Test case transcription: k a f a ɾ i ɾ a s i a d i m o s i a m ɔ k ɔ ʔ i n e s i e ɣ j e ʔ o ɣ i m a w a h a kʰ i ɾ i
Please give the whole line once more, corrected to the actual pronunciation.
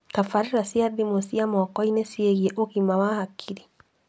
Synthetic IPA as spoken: k a f a ɾ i ɾ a s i a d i m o s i a m ɔ k ɔ i n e s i e ɣ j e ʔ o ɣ i m a w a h a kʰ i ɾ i

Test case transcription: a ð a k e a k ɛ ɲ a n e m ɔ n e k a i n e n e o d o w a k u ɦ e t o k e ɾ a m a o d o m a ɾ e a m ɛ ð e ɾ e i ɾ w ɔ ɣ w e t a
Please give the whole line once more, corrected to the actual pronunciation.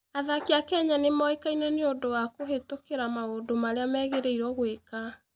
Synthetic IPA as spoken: a ð a k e a k ɛ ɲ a n e m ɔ e k a i n ɛ n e o d o w a k o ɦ e t o k e ɾ a m a o d o m a ɾ e a m ɛ ɣ e ɾ e i ɾ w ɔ ɣ w e k a

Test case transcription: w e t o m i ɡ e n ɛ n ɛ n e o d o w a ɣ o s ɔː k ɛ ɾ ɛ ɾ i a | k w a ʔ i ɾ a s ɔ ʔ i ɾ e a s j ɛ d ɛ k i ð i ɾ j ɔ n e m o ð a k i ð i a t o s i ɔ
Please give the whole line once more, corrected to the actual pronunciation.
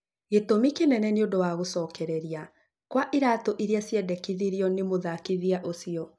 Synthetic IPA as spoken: ɣ e t o m i k e n ɛ n ɛ n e o d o w a ɣ o s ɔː k ɛ ɾ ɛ ɾ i a | k w a ʔ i ɾ a t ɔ ʔ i ɾ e a s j ɛ d ɛ k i ð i ɾ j ɔ n e m o ð a k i ð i a ʔ o s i ɔ

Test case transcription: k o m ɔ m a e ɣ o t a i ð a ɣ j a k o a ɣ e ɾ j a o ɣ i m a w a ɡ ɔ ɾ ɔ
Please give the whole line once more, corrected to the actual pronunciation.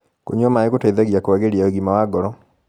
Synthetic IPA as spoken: k o ɲ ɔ m a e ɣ o t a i ð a ɣ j a k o a ɣ e ɾ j a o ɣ i m a w a ɡ ɔ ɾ ɔ

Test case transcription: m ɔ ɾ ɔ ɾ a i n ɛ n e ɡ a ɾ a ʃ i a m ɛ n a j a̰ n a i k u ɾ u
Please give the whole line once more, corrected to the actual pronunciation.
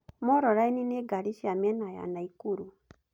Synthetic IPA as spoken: m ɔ ɾ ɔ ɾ a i n i n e ɡ a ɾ i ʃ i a m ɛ n a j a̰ n a i k u ɾ u

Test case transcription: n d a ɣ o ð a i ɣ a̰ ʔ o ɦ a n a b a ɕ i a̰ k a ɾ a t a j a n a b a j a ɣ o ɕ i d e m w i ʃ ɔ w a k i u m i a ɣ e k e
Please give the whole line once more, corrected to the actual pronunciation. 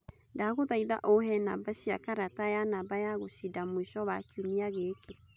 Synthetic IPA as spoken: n d a ɣ o ð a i ð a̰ ʔ o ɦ ɛ n a b a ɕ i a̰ k a ɾ a t a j a n a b a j a ɣ o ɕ i d a m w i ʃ ɔ β a k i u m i a ɣ e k e

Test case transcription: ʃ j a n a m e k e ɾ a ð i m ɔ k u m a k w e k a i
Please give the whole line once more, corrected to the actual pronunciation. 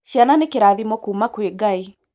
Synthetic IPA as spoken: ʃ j a n a n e k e ɾ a ð i m ɔ k u m a k w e ɡ a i

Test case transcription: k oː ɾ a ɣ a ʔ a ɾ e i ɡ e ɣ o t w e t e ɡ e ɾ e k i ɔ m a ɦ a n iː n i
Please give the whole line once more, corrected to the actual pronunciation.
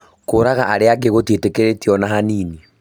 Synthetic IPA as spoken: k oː ɾ a ɣ a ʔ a ɾ e a ɡ e ɣ o t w e t e k e ɾ e t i ɔ n a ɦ a n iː n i

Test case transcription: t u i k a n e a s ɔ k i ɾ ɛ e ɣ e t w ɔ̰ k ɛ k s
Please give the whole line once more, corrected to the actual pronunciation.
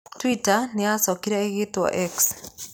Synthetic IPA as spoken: t w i t a n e a s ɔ k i ɾ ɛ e ɣ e t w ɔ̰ ʔ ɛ k s

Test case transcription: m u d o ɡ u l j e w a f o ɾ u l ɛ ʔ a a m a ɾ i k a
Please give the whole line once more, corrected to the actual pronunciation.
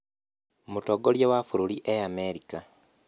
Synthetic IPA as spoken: m u t o ɡ o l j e w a f u ɾ u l i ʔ e a m e ɾ i k a

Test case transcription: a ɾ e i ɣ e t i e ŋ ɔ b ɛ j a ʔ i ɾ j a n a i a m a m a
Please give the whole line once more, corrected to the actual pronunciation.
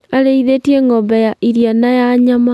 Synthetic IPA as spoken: a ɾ e i ð e t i e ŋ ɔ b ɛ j a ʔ i ɾ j a n a j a ɲ a m a

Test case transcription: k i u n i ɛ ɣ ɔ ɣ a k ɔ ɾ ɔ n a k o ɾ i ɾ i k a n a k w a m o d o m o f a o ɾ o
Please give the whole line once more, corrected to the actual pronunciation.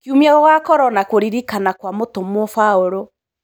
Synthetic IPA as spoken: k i u m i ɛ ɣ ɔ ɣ a k ɔ ɾ ɔ n a k o ɾ i ɾ i k a n a k w a m o t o m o f a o ɾ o

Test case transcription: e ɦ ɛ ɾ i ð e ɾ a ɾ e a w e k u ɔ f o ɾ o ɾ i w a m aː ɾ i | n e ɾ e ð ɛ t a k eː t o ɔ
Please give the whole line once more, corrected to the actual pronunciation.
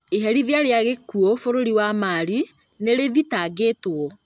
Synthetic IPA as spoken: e ɦ ɛ ɾ i ð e a ɾ e a ɣ e k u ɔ f o ɾ o ɾ i w a m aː ɾ i | n e ɾ e ð i t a ɡ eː t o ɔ

